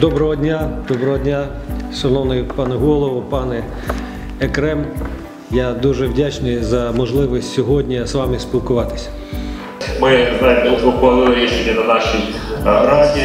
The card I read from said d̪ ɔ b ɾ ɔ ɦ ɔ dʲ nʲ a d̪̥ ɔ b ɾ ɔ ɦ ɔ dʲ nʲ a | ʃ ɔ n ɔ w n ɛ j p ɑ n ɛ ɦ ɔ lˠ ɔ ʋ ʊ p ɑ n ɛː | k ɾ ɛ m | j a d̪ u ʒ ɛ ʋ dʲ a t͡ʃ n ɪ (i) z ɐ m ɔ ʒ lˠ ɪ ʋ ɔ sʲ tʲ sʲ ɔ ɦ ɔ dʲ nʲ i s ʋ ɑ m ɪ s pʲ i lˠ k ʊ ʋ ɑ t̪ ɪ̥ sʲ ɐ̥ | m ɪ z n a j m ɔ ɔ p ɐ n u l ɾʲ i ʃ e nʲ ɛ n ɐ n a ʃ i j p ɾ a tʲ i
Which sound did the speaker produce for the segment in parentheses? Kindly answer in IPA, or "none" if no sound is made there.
j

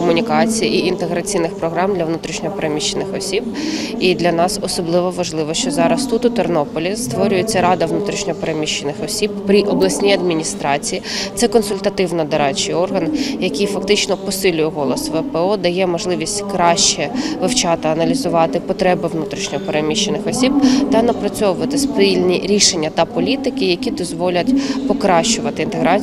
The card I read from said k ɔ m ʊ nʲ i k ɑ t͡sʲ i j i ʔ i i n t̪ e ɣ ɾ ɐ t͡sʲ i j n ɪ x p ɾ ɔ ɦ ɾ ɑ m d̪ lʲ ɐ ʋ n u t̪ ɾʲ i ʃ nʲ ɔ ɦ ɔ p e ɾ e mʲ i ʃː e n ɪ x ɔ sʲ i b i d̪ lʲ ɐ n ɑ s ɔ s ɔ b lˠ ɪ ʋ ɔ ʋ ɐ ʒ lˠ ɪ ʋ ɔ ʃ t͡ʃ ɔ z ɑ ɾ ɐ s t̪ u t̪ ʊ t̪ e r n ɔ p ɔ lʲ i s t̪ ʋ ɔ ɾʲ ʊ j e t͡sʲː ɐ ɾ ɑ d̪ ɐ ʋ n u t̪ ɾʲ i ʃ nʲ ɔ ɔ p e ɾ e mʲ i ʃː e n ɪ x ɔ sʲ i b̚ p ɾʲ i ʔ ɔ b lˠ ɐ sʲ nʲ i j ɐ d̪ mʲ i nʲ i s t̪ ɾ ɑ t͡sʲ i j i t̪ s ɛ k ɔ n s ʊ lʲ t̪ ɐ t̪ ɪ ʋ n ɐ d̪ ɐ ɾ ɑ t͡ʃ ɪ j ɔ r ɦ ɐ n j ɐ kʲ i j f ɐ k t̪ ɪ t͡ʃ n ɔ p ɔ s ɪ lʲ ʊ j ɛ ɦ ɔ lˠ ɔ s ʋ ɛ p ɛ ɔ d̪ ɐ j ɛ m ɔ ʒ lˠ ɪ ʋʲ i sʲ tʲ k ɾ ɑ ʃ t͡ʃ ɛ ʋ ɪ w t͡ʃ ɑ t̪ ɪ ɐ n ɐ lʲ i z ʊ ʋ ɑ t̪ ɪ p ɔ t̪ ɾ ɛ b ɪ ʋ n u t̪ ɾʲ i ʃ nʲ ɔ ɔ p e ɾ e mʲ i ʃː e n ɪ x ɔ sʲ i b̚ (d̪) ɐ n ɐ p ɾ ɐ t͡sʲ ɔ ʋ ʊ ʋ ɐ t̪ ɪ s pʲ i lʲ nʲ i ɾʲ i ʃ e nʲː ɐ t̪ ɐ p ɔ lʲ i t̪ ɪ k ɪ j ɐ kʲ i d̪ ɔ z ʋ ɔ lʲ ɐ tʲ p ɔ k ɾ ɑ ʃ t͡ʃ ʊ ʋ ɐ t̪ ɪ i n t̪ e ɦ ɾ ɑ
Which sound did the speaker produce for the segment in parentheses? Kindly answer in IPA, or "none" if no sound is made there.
t̪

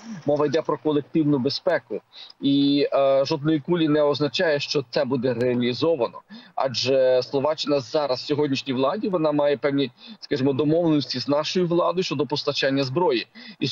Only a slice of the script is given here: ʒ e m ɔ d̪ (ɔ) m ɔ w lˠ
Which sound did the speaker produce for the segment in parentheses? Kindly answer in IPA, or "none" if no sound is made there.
ɔ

